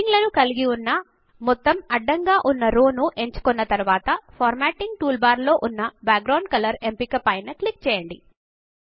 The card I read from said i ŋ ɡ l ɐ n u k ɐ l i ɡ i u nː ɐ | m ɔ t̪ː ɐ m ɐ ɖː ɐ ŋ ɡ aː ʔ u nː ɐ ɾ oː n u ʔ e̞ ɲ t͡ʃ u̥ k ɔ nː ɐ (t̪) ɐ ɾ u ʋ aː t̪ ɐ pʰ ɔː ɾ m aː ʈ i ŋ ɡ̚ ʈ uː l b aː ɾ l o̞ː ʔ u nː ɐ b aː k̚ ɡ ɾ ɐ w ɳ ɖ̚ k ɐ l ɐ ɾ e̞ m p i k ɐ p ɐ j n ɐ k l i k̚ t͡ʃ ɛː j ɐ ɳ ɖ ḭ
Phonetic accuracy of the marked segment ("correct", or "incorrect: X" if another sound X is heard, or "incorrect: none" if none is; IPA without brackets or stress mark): correct